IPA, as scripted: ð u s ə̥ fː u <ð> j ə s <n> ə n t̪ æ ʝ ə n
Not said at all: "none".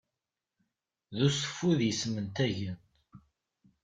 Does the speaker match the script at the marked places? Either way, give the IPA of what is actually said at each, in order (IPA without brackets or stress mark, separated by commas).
ð, m